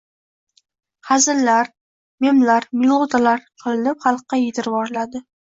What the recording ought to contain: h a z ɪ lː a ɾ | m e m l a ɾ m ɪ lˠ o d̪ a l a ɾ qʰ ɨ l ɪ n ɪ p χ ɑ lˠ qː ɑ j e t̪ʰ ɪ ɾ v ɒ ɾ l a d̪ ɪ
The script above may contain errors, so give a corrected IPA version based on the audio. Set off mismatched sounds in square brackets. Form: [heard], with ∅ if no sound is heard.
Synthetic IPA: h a z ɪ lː a ɾ | m e m l a ɾ m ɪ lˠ o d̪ a l a ɾ qʰ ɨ l ɪ n ɪ p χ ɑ lˠ qː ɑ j e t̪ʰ ɪ ɾ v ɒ ɾ l a d̪ ɪ